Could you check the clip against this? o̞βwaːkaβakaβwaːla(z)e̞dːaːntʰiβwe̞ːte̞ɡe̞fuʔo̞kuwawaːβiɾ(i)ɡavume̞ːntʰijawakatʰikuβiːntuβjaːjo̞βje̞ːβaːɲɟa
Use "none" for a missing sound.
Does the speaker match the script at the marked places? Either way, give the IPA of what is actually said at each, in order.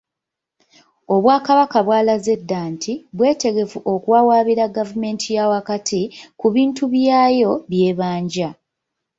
z, a

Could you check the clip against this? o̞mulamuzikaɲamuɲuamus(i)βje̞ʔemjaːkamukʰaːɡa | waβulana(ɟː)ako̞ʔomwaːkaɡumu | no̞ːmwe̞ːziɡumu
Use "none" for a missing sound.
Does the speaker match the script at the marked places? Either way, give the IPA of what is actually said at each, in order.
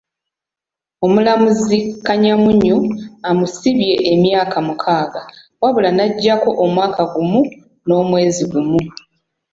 i, ɟː

